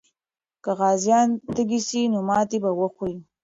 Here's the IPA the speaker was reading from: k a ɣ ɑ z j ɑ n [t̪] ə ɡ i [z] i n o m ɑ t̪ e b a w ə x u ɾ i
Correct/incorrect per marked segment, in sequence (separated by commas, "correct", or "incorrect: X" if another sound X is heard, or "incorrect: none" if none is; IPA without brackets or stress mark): correct, incorrect: s